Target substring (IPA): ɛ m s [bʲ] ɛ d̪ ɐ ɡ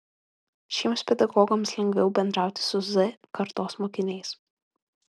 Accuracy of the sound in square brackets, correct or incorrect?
incorrect: pʲ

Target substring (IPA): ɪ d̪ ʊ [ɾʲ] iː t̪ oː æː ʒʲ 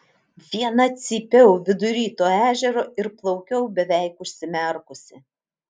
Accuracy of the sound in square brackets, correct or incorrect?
correct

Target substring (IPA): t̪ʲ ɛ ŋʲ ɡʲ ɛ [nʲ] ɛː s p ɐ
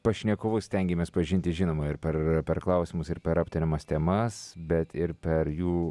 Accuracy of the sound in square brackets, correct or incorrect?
incorrect: mʲ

